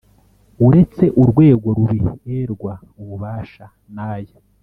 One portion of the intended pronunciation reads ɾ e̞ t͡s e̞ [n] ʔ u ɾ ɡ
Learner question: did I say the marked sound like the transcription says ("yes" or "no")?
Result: no